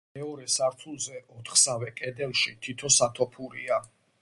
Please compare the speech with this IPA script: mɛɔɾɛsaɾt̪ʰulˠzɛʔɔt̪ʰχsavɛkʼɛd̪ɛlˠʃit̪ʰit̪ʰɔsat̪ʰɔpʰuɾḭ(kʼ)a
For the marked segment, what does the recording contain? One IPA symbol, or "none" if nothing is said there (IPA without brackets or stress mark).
none